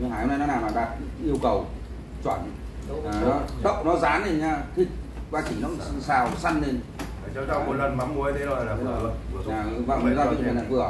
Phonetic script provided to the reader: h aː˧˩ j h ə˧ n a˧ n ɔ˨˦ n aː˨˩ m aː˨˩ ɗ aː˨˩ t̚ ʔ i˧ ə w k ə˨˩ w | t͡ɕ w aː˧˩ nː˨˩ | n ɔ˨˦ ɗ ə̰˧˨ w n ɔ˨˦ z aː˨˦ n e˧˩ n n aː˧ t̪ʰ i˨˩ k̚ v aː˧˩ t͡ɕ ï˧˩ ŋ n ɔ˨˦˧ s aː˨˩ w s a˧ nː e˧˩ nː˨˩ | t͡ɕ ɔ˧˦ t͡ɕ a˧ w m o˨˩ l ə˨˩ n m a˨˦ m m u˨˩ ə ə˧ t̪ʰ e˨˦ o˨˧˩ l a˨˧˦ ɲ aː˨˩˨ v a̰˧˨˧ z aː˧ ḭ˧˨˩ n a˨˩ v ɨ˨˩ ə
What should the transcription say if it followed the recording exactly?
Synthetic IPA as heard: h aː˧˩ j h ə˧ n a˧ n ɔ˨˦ n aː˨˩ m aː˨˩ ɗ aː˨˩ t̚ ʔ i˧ ə w k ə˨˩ w | t͡ɕ w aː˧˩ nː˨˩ | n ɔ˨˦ ɗ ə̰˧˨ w n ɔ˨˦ z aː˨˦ n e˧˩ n ɲ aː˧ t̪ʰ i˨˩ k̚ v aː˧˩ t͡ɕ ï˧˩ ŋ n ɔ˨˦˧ s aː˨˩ w s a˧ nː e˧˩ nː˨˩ | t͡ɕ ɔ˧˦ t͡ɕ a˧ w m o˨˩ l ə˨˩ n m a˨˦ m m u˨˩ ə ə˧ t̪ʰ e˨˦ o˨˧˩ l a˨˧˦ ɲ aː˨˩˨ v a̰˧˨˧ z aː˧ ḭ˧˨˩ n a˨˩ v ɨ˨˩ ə